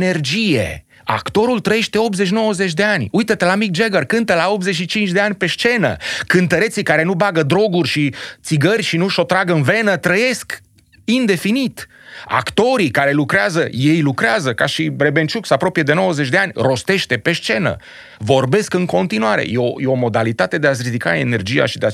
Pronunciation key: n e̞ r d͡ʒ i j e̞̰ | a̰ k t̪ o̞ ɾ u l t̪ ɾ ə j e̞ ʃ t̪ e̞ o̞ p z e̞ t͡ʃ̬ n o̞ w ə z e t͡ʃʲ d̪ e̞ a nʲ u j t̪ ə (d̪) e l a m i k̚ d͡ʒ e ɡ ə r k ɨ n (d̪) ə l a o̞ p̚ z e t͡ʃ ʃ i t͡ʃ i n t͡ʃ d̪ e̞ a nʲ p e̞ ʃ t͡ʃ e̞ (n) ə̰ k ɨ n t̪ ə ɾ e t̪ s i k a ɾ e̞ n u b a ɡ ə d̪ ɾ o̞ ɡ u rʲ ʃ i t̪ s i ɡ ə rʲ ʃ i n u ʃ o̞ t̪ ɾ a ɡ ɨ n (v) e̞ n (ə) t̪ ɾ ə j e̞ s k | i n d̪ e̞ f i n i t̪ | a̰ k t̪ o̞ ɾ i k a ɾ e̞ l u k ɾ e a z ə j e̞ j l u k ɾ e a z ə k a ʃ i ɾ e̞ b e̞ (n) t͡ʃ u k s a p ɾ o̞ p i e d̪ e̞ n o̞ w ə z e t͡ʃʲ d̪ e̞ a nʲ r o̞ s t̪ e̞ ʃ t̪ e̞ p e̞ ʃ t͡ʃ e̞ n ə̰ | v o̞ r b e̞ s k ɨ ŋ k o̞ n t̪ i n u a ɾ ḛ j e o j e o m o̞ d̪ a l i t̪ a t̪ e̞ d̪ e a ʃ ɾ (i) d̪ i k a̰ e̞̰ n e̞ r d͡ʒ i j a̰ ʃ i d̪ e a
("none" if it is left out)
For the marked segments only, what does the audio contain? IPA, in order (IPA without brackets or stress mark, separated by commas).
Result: t̪, t̪, n, v, ə, n, i